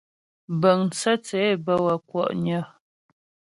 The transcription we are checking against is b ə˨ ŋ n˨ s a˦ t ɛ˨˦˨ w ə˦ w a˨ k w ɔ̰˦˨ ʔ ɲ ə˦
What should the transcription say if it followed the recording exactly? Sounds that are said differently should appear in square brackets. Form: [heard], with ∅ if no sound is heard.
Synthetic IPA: b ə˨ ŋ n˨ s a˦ [t͡s] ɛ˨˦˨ [b] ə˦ w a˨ k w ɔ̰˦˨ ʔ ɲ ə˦